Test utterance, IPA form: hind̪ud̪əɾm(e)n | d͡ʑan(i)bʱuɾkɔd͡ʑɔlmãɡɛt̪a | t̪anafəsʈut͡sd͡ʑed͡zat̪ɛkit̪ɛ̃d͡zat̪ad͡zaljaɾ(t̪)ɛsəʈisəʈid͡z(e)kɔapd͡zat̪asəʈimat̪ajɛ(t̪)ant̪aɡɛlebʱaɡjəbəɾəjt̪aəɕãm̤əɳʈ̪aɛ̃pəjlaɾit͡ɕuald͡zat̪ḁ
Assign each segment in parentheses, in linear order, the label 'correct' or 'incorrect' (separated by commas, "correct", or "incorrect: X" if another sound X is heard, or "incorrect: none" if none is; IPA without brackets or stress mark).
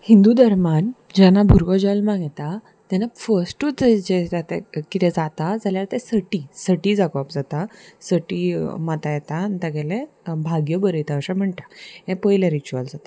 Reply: incorrect: a, incorrect: a, correct, incorrect: a, correct